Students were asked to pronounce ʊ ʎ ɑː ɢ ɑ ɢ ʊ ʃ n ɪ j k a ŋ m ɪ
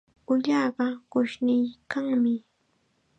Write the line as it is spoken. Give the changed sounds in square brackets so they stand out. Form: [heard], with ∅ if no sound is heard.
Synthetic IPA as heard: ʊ ʎ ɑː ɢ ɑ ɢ ʊ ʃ n ɪ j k a ŋ m ɪ